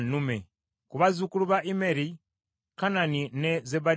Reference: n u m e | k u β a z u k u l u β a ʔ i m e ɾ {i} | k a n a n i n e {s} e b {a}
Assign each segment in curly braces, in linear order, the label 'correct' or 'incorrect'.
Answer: correct, incorrect, correct

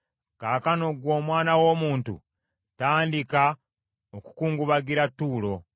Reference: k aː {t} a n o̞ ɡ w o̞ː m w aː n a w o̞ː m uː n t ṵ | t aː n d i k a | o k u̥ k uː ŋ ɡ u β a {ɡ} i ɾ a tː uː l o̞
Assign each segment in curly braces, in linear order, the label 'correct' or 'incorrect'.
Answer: incorrect, correct

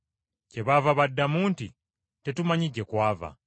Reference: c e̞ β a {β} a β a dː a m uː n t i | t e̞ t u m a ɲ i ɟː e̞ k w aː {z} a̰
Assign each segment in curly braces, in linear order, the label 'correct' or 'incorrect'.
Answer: incorrect, incorrect

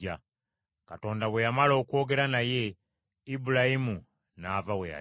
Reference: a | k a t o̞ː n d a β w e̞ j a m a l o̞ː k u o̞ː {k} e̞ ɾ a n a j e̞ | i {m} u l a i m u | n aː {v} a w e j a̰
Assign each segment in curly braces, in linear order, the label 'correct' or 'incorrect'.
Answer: incorrect, incorrect, correct

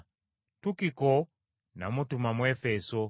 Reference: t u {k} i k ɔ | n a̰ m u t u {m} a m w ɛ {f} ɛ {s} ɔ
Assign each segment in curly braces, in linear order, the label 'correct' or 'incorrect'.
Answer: correct, correct, correct, correct

